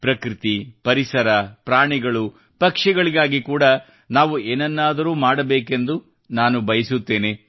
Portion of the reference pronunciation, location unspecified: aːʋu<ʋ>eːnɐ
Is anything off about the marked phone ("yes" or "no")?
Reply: yes